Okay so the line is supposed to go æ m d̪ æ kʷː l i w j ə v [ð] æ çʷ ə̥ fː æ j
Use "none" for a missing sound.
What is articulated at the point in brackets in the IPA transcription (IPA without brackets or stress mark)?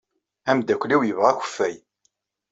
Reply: ʁ